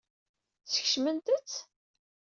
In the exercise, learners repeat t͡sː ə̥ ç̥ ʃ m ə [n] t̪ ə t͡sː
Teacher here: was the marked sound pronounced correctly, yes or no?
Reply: yes